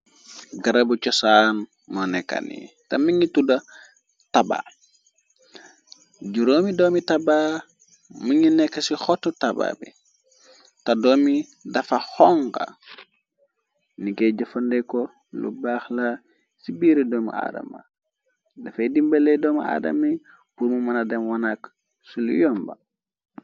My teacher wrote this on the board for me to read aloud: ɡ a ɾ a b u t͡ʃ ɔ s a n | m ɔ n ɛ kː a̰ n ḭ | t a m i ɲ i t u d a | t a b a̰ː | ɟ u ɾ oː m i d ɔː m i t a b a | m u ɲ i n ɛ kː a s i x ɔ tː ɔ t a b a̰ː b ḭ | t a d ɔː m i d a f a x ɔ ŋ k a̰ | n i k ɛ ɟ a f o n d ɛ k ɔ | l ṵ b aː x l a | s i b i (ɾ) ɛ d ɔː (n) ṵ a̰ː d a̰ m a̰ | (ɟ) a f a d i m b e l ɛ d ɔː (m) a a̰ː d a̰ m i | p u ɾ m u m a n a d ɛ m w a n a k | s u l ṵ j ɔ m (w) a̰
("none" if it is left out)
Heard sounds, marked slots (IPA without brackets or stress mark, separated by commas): ɾ, m, d, m, b